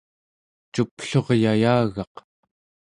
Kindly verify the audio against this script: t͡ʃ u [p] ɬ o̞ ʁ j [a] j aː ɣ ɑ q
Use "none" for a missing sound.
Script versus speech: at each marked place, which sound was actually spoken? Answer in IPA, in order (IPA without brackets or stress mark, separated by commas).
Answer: p, a